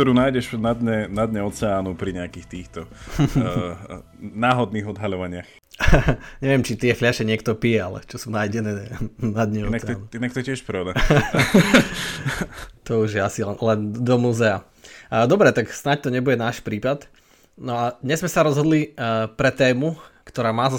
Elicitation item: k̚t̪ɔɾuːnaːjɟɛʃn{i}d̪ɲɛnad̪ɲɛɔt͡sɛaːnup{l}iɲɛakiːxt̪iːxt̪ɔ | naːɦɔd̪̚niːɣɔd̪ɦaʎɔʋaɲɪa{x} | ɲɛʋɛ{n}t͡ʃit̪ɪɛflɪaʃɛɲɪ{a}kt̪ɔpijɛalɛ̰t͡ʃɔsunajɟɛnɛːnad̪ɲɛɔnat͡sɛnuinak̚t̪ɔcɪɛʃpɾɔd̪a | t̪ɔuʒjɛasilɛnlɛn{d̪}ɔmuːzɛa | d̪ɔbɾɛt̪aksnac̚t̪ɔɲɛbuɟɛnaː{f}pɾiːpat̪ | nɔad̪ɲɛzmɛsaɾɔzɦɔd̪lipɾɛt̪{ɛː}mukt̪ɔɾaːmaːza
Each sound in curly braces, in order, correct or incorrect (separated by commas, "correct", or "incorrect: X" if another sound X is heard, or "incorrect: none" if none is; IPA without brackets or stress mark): incorrect: a, incorrect: ɾ, correct, incorrect: m, incorrect: ɛ, correct, incorrect: ʃ, correct